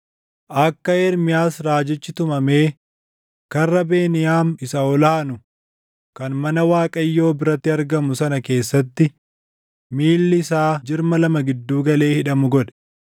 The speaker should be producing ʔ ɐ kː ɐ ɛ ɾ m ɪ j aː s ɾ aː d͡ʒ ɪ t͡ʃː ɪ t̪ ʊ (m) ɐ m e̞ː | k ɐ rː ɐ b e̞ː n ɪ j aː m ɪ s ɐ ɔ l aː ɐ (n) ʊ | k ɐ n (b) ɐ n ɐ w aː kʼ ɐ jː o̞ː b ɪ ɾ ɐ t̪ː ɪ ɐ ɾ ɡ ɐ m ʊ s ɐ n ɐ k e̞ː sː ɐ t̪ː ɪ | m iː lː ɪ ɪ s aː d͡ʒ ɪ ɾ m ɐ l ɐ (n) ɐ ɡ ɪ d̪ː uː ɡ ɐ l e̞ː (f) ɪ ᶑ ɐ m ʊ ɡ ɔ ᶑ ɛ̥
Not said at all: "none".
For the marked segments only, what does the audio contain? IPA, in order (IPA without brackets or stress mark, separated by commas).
m, n, m, m, h